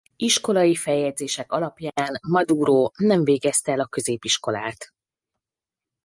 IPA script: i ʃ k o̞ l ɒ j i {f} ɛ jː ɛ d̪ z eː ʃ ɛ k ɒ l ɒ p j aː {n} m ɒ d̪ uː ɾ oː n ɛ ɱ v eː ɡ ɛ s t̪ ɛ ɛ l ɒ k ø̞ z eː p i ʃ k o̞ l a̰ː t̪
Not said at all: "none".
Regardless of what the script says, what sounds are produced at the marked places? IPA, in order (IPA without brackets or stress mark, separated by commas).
f, n